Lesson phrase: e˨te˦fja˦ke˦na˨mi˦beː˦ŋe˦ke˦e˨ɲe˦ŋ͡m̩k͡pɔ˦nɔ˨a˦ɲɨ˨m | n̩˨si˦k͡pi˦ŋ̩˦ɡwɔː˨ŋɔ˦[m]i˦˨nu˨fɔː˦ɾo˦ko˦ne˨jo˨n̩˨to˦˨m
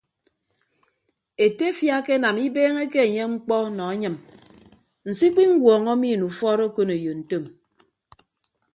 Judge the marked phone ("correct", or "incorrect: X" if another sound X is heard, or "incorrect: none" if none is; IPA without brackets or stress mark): correct